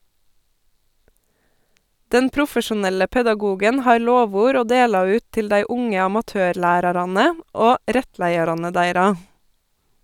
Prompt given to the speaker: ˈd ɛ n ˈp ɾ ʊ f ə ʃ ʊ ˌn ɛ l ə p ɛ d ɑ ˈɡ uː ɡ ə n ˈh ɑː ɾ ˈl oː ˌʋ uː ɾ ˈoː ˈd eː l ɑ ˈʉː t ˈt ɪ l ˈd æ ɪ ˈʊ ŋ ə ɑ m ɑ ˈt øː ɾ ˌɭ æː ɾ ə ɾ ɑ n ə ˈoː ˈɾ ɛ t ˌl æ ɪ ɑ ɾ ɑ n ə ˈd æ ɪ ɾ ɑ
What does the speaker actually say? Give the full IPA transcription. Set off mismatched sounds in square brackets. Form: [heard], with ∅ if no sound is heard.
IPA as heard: ˈd ɛ n ˈp ɾ ʊ f ə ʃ ʊ ˌn ɛ l ə p ɛ d ɑ ˈɡ uː ɡ ə n ˈh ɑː ɾ ˈl oː ˌʋ uː ɾ ˈoː ˈd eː l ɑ ˈʉː t ˈt ɪ l ˈd æ ɪ ˈʊ ŋ ə ɑ m ɑ ˈt øː ɾ ˌɭ æː ɾ [ɑ] ɾ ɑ n ə ˈoː ˈɾ ɛ t ˌl æ ɪ ɑ ɾ ɑ n ə ˈd æ ɪ ɾ ɑ